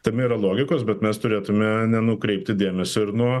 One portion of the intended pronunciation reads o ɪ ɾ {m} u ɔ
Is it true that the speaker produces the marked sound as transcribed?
no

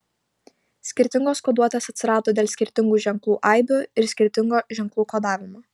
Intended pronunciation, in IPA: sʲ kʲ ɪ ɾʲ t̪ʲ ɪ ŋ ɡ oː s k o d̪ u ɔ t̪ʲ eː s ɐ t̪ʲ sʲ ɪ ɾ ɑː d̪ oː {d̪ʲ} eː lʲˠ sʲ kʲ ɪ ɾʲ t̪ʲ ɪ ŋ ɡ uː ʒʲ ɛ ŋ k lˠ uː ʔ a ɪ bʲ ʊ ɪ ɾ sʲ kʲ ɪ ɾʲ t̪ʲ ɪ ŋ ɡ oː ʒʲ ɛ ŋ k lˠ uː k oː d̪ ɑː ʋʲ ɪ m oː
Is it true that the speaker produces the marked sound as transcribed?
yes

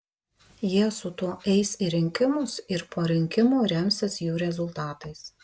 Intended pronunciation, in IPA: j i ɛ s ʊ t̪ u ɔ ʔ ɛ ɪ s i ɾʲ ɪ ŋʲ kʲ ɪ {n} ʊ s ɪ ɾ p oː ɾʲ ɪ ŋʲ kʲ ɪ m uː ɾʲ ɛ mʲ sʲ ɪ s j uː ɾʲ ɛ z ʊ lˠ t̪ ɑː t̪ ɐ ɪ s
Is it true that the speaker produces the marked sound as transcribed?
no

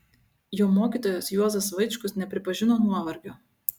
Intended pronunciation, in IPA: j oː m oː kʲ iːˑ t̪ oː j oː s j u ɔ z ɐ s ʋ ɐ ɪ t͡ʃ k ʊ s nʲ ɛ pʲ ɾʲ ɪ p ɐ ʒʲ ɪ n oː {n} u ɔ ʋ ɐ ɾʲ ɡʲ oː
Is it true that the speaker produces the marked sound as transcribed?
yes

